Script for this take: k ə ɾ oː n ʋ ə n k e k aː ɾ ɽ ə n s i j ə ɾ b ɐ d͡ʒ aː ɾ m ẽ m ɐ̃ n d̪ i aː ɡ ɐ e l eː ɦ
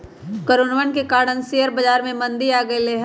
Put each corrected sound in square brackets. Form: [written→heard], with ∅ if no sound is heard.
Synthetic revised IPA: k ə ɾ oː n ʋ ə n k e k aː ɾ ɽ ə n s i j ə ɾ b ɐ d͡ʒ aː ɾ m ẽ m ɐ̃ n d̪ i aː ɡ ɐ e l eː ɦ

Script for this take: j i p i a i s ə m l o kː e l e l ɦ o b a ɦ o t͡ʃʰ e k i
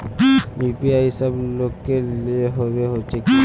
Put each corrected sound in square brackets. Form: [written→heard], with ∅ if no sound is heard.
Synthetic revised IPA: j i p i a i s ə [m→b] l o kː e l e [l→∅] ɦ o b [a→e] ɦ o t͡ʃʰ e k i

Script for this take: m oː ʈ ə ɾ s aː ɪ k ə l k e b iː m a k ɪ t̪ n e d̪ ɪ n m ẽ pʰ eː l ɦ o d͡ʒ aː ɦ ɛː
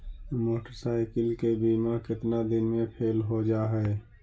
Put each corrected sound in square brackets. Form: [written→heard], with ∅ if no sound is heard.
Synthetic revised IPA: m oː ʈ ə ɾ s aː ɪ k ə l k e b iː m a k ɪ t̪ n [e→a] d̪ ɪ n m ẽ pʰ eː l ɦ o d͡ʒ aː ɦ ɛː

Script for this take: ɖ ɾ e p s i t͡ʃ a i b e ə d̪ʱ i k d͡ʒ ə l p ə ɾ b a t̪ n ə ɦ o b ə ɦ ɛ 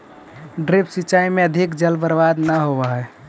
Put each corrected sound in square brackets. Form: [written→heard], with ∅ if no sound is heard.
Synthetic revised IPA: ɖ ɾ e p s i t͡ʃ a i [b→m] e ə d̪ʱ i k d͡ʒ ə l [p→b] ə ɾ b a [t̪→d̪] n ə ɦ o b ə ɦ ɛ

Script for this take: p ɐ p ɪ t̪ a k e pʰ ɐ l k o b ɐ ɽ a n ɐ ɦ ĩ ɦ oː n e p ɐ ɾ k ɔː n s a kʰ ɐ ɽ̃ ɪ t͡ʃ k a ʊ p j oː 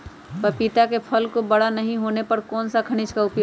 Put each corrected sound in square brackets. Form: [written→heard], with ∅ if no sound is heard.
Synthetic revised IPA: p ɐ p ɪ t̪ a k e pʰ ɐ l k o b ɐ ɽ a n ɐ ɦ ĩ ɦ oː n e p ɐ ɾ k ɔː n s a kʰ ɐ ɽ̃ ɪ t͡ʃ k a ʊ p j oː

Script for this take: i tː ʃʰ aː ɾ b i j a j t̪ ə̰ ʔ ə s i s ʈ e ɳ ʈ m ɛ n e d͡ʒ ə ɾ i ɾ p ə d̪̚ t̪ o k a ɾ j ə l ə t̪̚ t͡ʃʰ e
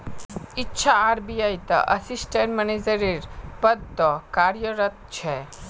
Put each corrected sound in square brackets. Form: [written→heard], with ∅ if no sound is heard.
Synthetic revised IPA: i tː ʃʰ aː ɾ b i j a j t̪ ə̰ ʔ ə s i s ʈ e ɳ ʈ m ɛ n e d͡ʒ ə ɾ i ɾ p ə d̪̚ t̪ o k a ɾ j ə [l→ɾ] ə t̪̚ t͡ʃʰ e

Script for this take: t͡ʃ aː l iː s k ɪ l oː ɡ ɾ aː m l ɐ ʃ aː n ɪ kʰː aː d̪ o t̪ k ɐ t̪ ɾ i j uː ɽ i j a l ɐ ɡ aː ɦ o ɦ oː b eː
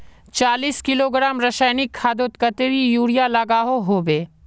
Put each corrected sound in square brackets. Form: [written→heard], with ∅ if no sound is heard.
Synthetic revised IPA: t͡ʃ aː l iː s k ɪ l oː ɡ ɾ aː m [l→ɾ] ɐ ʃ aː n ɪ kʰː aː d̪ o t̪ k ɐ t̪ ɾ i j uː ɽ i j a l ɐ ɡ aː ɦ o ɦ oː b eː

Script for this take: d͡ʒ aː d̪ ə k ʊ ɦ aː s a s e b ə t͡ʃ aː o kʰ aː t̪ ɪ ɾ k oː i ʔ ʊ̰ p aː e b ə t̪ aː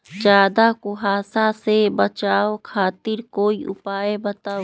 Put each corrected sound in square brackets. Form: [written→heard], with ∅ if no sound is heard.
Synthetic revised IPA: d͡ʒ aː d̪ [ə→a] k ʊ ɦ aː s a s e b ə t͡ʃ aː o kʰ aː t̪ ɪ ɾ k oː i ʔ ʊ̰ p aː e b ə t̪ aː

